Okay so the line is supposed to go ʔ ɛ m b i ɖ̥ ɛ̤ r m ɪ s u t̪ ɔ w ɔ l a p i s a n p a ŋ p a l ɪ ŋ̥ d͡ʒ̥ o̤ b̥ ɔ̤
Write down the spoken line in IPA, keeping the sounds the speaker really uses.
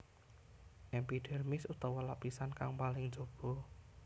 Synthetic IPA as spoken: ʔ ɛ m p i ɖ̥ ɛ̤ r m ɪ s u t̪ ɔ w ɔ l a p i s a n k a ŋ p a l ɪ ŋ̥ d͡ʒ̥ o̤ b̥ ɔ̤